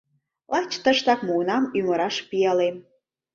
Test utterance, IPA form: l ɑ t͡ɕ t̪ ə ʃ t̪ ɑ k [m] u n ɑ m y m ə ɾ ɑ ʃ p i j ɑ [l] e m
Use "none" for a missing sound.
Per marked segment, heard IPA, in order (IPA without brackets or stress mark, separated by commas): m, l